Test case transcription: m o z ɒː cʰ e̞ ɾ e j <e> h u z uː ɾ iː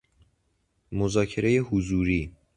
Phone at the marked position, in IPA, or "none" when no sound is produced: e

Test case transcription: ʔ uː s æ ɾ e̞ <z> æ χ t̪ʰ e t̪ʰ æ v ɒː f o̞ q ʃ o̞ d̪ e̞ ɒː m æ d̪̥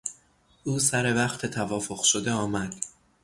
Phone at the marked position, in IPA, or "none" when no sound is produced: v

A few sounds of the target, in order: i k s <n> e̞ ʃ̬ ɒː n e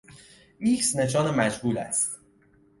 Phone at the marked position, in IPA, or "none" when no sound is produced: n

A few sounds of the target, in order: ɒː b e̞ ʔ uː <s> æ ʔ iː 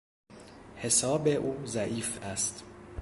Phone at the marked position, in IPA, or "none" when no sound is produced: z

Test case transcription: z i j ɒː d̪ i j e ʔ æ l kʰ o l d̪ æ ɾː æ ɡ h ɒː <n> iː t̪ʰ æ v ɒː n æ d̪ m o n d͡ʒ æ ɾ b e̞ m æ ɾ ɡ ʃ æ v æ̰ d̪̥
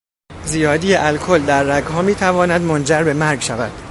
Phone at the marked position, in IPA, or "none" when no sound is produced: m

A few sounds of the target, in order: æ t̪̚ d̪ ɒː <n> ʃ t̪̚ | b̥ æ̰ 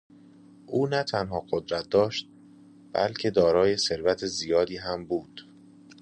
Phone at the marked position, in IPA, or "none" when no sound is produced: none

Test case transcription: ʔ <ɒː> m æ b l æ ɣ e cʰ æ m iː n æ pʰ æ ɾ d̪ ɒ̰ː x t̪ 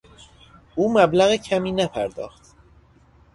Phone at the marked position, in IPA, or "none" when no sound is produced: uː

